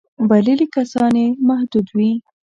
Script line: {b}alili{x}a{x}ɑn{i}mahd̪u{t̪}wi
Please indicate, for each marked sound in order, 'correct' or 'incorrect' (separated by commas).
correct, incorrect, incorrect, incorrect, incorrect